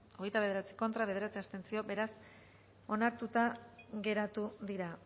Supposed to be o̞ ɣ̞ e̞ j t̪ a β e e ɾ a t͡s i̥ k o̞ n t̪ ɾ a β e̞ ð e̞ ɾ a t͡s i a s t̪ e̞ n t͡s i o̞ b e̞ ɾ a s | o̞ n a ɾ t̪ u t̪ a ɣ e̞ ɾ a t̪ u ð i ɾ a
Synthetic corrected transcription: o̞ ɣ̞ e̞ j t̪ a β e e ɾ a t͡s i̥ k o̞ n t̪ ɾ a β e̞ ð e̞ ɾ a t͡s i a s t̪ e̞ n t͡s i o̞ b e̞ ɾ a s | o̞ n a ɾ t̪ u t̪ a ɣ e̞ ɾ a t̪ u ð i ɾ a